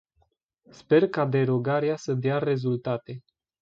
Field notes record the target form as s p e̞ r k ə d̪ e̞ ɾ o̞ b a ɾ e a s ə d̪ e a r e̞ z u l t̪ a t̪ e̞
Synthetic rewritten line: s p e̞ r k a d̪ e̞ ɾ o̞ ɡ a ɾ e a s ə d̪ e a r e̞ z u l t̪ a t̪ e̞